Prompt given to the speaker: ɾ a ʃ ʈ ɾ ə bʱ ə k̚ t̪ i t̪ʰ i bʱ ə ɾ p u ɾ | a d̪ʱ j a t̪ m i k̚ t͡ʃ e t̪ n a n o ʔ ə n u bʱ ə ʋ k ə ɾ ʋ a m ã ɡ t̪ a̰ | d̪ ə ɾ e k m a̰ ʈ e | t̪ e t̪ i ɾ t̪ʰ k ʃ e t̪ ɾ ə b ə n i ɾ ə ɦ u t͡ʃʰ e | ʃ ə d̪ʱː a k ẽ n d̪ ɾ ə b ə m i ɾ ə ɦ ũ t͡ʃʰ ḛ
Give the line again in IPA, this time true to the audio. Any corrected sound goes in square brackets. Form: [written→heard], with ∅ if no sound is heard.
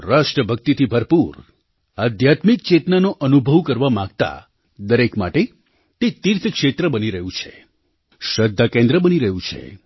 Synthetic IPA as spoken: ɾ a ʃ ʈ ɾ ə bʱ ə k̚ t̪ i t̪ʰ i bʱ ə ɾ p u ɾ | a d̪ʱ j a t̪ m i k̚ t͡ʃ e t̪ n a n o ʔ ə n u bʱ ə ʋ k ə ɾ ʋ a m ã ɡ t̪ a̰ | d̪ ə ɾ e k m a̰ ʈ e | t̪ e t̪ i ɾ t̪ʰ k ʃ e t̪ ɾ ə b ə n i ɾ ə ɦ [u→ũ] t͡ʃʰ e | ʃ ə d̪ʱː a k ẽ n d̪ ɾ ə b ə [m→n] i ɾ ə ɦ ũ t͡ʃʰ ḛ